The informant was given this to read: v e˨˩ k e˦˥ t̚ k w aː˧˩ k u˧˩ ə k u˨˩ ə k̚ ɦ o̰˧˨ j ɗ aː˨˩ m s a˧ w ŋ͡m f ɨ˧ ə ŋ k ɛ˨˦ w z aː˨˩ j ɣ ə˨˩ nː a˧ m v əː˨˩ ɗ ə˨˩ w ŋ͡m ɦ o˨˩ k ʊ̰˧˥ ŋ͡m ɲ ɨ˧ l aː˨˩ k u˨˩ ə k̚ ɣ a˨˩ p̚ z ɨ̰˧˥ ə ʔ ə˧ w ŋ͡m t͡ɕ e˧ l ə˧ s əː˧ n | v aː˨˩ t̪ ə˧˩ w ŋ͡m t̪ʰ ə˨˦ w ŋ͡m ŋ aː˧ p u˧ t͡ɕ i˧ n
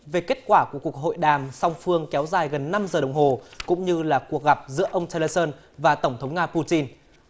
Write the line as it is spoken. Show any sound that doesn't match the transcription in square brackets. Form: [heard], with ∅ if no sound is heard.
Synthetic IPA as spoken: v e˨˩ k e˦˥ t̚ k w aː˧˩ k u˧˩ ə k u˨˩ ə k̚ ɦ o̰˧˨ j ɗ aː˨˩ m s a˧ w ŋ͡m f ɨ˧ ə ŋ k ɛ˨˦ w z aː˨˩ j ɣ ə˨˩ nː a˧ m [z] əː˨˩ ɗ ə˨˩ w ŋ͡m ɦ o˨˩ k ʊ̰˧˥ ŋ͡m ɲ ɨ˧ l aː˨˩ k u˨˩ ə k̚ ɣ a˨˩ p̚ z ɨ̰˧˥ ə ʔ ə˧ w ŋ͡m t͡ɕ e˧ l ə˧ s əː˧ n | v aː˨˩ t̪ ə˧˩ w ŋ͡m t̪ʰ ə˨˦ w ŋ͡m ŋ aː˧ p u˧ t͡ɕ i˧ n